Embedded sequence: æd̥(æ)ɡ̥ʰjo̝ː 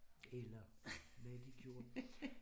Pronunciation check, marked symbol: incorrect: i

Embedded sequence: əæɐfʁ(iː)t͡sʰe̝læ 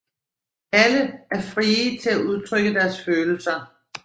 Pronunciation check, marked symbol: correct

